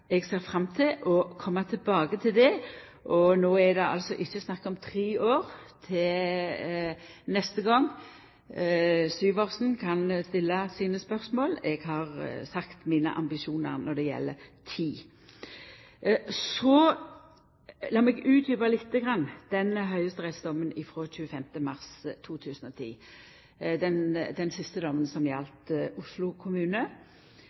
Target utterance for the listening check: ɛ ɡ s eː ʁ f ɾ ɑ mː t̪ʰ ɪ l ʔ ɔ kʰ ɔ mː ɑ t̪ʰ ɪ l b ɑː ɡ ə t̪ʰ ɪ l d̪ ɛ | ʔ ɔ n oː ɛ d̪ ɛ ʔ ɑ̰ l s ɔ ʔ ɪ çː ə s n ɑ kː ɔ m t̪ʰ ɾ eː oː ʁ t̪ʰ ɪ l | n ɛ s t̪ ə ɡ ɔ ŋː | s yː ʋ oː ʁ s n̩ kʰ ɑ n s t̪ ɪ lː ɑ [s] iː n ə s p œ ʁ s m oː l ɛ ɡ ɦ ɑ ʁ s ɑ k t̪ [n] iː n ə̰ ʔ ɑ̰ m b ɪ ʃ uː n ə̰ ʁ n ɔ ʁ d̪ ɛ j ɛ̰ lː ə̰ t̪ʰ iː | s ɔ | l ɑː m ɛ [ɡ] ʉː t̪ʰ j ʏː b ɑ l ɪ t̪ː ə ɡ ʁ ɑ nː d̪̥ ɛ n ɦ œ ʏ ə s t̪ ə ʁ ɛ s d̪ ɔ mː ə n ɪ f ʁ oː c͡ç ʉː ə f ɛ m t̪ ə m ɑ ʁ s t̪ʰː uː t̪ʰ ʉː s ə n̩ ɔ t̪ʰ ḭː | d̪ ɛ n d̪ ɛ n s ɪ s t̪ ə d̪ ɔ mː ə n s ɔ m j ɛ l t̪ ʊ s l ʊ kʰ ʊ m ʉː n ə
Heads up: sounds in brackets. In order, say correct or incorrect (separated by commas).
correct, incorrect, correct